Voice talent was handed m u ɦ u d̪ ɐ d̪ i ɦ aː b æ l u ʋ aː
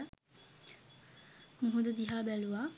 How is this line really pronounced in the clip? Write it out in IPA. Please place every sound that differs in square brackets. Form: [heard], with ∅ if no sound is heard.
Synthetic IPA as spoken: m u ɦ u d̪ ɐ d̪ i ɦ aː b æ l u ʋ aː